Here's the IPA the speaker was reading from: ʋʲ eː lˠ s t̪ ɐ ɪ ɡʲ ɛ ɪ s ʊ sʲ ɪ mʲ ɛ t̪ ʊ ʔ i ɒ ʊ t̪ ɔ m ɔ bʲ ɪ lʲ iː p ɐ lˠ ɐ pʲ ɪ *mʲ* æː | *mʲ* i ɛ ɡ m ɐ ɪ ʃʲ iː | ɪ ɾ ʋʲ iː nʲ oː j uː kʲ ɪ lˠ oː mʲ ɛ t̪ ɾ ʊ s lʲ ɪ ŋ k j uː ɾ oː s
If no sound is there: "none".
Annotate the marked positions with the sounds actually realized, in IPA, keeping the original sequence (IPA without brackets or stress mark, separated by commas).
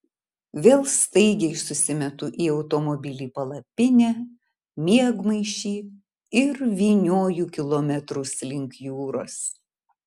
nʲ, mʲ